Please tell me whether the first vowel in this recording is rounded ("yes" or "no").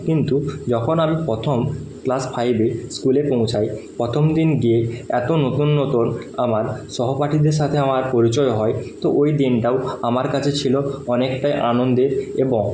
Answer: no